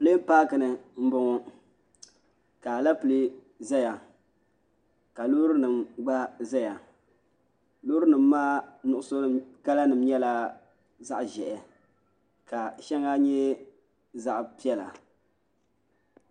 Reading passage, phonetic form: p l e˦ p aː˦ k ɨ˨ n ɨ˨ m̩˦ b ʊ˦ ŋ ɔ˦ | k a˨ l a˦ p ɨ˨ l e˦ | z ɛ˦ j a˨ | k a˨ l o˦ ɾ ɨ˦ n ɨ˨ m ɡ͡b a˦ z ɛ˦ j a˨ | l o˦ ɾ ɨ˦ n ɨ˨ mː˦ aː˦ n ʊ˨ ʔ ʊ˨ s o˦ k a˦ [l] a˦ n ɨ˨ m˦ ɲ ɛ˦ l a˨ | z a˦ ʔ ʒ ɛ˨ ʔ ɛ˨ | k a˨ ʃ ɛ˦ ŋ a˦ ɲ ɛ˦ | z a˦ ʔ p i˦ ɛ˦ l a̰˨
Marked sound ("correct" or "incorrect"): correct